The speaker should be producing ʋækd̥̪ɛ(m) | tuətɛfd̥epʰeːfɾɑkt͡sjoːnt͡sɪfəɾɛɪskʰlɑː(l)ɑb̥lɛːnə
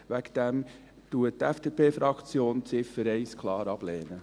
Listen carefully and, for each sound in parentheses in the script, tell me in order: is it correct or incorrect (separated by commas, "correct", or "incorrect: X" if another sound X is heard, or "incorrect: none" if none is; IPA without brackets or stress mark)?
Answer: correct, incorrect: ɾ